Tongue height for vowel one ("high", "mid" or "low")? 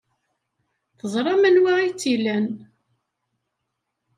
mid